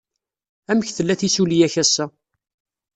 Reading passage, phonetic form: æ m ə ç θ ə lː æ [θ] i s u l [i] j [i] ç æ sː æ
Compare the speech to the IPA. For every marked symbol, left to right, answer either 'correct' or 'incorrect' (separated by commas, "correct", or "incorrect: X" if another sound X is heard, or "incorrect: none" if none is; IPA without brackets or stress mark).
correct, correct, incorrect: æ